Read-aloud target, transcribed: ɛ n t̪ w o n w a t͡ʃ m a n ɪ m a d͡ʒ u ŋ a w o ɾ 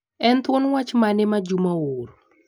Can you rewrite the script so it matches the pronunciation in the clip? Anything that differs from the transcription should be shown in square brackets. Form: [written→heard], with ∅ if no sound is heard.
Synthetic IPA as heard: ɛ n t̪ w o n w a t͡ʃ m a n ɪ m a d͡ʒ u [ŋ→m] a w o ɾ